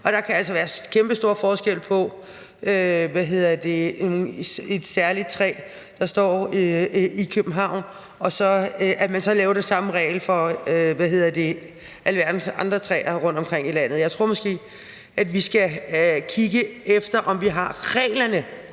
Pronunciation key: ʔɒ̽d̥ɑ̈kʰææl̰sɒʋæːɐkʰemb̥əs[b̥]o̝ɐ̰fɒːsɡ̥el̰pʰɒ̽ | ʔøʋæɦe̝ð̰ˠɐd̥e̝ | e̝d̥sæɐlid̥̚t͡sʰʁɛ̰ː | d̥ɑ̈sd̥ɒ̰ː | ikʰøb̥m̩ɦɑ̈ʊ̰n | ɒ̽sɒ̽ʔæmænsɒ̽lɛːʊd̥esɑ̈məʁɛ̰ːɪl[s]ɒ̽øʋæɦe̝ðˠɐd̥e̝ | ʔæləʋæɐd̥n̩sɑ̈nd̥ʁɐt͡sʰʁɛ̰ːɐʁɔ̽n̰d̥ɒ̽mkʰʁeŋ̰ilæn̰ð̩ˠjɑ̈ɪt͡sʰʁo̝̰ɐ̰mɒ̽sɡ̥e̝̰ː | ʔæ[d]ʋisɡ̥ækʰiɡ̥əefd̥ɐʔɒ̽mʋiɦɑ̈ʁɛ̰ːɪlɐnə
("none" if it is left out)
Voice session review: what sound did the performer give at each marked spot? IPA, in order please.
d̥, f, d

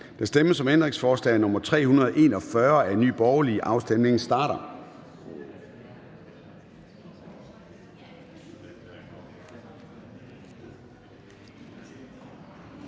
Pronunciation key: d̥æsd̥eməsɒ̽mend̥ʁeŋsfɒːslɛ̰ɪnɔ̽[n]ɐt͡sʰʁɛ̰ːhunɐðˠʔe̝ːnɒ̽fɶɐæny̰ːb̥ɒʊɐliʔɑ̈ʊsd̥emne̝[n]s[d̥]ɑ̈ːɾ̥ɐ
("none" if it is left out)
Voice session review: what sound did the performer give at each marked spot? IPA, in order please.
m, ŋ, d̥

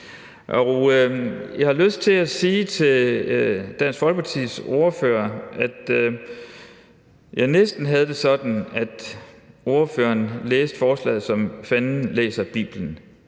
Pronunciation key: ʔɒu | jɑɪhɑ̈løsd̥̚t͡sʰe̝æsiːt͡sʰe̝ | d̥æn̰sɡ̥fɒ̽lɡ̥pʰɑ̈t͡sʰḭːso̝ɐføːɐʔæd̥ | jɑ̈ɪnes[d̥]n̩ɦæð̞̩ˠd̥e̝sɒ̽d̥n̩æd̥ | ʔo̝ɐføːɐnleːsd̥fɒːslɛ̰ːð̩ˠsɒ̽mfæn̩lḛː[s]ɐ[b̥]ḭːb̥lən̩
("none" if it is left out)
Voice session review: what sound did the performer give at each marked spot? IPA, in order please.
d̥, s, b̥

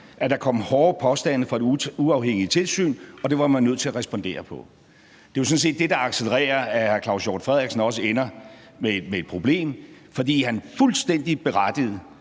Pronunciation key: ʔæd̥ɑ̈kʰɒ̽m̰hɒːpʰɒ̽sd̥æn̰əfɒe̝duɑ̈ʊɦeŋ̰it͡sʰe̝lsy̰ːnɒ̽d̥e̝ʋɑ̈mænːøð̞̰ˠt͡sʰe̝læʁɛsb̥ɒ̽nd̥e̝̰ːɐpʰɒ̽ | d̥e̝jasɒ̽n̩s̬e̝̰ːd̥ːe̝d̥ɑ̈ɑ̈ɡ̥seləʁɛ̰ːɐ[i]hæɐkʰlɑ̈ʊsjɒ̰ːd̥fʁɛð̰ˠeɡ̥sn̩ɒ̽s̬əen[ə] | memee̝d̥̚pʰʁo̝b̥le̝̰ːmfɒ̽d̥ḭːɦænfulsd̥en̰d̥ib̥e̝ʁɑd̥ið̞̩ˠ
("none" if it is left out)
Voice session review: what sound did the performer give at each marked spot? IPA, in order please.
æ, ɐ

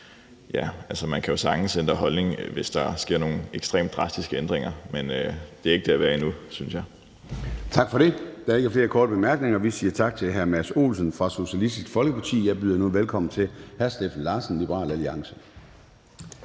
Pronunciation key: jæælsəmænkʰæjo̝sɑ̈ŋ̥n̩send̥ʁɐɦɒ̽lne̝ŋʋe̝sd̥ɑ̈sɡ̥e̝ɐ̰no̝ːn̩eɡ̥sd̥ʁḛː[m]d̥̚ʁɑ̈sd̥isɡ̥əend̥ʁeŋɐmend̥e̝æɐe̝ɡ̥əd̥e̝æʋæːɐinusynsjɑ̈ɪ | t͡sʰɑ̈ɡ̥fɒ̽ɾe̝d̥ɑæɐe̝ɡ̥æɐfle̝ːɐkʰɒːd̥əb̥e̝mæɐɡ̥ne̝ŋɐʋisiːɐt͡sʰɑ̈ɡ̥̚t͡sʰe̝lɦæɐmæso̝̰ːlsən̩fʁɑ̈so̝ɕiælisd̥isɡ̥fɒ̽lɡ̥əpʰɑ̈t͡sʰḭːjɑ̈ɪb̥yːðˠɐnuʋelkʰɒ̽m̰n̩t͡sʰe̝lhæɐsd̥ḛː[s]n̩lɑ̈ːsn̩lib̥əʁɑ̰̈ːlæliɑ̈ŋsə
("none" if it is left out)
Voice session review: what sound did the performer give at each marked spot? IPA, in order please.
m, f

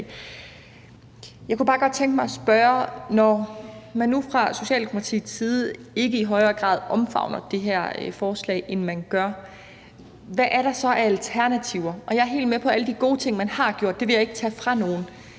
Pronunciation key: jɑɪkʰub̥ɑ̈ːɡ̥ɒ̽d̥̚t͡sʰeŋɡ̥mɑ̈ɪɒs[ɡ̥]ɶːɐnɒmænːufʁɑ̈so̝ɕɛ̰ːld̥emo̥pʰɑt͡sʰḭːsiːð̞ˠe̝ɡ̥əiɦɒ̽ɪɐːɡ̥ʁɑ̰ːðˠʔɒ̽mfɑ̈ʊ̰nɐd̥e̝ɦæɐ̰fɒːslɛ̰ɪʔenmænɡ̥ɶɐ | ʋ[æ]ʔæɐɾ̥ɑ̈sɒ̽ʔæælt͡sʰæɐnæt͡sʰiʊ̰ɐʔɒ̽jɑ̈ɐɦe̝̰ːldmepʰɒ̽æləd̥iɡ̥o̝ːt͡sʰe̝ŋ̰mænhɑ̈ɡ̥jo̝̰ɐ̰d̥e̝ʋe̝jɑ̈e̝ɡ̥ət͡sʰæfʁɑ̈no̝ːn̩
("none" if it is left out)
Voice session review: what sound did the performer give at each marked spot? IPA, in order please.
b̥, æ

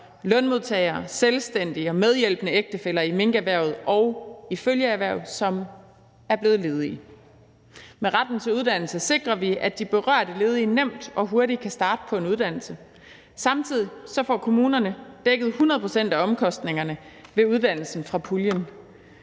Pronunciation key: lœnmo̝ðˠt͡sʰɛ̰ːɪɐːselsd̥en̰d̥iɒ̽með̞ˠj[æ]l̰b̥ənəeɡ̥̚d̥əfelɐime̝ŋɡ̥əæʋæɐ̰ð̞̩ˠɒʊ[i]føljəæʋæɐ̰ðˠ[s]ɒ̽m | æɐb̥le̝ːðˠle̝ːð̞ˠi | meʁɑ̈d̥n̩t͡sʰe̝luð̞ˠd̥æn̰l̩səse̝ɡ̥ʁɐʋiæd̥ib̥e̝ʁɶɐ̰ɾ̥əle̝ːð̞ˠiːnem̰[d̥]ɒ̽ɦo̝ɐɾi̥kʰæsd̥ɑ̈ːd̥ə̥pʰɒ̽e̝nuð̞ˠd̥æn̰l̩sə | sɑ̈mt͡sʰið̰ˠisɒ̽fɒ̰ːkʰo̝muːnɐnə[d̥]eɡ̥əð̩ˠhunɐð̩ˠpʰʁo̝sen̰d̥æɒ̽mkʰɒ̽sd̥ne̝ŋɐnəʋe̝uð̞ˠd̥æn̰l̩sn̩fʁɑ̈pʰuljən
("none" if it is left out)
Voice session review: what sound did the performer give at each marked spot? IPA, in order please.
e, i, s, d̥, d̥

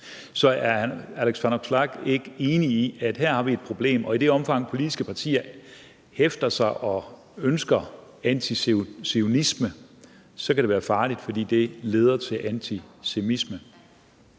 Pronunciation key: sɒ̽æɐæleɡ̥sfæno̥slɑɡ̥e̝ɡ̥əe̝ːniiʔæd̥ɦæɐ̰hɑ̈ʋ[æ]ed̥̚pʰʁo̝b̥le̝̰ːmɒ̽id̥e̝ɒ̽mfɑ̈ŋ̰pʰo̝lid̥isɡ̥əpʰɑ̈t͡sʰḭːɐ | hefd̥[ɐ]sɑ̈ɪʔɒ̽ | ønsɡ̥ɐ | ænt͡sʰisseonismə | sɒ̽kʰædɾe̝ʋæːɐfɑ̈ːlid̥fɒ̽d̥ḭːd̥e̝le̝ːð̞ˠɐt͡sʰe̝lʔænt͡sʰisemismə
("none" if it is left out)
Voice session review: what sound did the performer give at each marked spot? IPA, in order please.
i, ɐ

